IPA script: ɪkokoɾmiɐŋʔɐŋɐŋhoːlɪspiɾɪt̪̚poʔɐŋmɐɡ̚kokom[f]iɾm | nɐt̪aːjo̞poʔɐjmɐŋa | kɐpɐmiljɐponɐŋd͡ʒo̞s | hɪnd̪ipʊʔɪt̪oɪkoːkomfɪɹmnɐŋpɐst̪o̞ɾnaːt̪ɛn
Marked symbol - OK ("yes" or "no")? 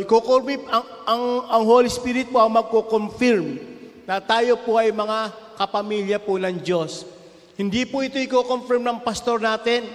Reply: yes